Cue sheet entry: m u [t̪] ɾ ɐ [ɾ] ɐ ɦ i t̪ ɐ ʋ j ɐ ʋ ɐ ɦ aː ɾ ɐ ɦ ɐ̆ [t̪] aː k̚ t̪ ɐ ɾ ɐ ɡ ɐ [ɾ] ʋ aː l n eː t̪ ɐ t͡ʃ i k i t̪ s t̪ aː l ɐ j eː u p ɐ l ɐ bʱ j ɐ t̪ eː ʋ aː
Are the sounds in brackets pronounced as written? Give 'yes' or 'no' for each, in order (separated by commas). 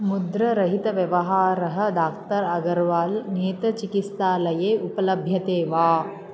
no, yes, no, yes